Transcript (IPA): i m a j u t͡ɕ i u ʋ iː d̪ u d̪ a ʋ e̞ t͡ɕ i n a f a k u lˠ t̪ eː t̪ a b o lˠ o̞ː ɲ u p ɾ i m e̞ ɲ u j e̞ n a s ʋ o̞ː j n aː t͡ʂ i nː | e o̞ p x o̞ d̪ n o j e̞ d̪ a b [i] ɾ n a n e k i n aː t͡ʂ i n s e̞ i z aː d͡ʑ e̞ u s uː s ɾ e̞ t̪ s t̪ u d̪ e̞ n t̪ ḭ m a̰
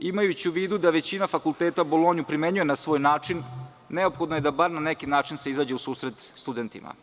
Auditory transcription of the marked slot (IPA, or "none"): a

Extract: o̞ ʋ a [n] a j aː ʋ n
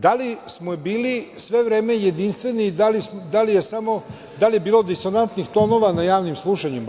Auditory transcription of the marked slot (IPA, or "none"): n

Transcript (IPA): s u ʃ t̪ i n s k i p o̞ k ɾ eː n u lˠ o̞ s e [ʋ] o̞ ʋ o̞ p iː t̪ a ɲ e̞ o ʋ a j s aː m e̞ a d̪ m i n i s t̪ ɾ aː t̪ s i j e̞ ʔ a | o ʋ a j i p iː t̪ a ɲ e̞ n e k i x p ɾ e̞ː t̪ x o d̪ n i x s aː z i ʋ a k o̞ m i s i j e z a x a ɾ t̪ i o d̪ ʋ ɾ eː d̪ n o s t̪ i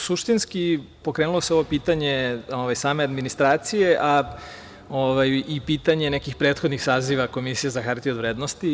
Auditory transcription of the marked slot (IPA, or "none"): none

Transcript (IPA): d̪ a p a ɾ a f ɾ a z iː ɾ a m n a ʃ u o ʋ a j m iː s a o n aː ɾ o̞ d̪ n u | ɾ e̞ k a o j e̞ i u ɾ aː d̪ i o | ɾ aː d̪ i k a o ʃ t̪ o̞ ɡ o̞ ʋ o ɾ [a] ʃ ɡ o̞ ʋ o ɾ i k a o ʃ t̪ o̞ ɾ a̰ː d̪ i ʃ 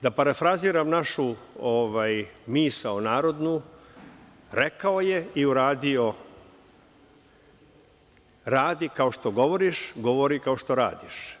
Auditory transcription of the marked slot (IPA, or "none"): i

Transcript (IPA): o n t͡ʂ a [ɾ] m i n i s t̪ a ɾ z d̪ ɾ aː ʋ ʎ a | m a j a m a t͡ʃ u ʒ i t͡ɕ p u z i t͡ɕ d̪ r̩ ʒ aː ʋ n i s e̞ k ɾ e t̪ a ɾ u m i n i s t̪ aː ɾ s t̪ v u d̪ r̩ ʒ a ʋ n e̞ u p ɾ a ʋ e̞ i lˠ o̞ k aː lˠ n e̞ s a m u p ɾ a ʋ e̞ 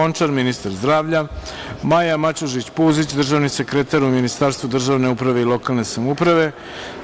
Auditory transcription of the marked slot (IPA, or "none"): ɾ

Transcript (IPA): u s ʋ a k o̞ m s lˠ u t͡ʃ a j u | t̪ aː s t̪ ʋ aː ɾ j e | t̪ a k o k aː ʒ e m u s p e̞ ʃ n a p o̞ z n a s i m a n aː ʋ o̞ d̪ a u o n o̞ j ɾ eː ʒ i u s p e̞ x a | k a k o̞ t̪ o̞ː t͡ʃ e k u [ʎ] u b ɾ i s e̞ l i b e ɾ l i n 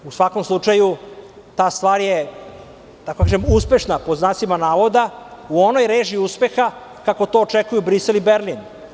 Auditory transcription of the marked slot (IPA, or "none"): j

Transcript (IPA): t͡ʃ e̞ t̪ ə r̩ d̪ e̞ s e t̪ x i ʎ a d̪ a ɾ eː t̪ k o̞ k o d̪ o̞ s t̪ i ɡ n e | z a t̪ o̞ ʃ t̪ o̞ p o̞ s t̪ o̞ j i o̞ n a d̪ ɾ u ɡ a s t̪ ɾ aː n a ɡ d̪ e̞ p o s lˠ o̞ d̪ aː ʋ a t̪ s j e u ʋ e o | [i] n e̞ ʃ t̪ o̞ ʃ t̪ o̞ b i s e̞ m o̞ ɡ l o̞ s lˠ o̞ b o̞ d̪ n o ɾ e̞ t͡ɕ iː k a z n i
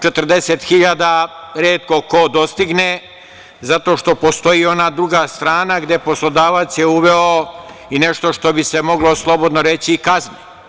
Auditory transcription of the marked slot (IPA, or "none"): i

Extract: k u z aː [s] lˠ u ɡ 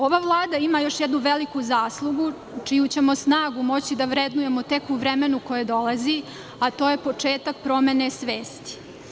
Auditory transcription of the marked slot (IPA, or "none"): s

